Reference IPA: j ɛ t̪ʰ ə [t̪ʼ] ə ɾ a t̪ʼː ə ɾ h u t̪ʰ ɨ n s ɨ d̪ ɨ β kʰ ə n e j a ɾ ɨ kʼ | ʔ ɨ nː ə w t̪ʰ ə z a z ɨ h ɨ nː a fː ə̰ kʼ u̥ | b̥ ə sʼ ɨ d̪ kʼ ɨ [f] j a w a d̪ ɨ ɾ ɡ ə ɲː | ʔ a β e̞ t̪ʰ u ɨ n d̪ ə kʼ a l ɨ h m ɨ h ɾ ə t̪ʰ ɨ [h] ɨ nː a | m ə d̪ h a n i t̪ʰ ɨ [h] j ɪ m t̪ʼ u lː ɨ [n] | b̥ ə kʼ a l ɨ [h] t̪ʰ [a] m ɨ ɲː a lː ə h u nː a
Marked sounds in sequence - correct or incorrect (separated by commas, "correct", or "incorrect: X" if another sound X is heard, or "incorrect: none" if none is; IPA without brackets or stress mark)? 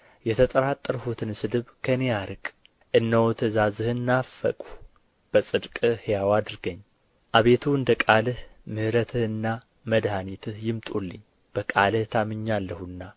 correct, incorrect: h, correct, correct, incorrect: ɲ, correct, correct